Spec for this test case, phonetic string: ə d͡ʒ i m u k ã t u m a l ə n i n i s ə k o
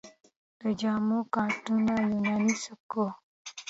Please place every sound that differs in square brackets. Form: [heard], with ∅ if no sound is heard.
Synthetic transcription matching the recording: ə d͡ʒ [a] m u k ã t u [n] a l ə n [a] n i s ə k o